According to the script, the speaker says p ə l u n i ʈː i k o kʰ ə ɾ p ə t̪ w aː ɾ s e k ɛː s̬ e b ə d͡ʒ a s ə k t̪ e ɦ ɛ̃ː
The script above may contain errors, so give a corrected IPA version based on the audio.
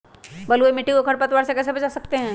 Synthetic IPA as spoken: b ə l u m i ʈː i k o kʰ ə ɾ p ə t̪ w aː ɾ s e k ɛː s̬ e b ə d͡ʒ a s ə k t̪ e ɦ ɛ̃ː